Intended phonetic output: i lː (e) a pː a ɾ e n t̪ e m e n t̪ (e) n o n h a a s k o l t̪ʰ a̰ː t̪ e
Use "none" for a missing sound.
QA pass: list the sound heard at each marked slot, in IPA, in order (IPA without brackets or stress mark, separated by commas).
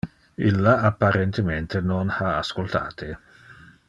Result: a, e